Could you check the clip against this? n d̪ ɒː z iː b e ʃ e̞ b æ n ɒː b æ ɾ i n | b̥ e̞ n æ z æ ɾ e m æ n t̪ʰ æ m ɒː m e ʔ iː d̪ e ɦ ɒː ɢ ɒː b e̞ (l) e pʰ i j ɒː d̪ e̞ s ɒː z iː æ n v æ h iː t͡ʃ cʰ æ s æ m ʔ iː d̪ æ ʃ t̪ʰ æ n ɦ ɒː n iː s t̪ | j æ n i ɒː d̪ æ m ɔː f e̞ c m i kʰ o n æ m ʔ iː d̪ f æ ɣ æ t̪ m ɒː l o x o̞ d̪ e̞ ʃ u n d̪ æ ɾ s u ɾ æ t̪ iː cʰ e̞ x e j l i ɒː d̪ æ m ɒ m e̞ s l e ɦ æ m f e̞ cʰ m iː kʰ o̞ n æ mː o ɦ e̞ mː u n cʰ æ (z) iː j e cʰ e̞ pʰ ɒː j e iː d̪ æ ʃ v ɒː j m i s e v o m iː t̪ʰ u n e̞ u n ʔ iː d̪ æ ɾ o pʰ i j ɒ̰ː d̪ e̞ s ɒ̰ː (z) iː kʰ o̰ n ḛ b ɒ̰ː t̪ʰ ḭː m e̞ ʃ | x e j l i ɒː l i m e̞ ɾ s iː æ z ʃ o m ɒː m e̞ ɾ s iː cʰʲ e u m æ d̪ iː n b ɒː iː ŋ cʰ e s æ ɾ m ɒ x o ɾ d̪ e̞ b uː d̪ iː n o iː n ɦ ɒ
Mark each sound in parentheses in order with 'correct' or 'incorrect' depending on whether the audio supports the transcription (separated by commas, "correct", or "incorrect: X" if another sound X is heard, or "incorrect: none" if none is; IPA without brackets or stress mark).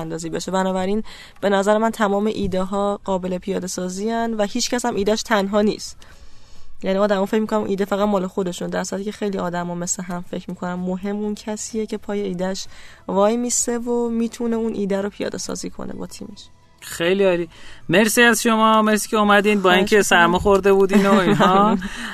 correct, incorrect: s, correct